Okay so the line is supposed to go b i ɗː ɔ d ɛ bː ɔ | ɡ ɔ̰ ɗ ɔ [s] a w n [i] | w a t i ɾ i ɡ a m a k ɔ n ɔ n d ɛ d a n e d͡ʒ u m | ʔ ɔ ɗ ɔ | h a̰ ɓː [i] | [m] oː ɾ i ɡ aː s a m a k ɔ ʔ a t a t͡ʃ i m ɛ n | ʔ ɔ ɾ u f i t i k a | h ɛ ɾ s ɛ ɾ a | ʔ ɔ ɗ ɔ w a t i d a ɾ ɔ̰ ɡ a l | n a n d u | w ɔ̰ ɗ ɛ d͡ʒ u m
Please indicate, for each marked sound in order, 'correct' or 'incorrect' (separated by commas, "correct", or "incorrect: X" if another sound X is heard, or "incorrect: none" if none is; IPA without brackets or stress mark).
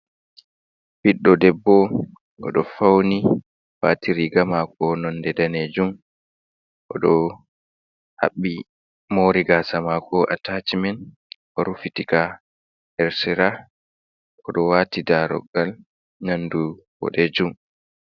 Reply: incorrect: f, correct, correct, correct